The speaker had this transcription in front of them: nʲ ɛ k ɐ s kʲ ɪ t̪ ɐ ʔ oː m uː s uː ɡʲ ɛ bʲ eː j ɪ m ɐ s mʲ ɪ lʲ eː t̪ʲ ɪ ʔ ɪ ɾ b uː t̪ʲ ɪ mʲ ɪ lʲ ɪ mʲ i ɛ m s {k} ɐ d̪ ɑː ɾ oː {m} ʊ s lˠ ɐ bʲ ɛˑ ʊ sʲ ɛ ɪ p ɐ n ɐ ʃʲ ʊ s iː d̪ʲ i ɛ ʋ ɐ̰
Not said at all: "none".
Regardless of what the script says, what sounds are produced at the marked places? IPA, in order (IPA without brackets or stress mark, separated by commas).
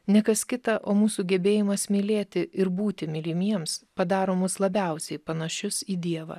p, m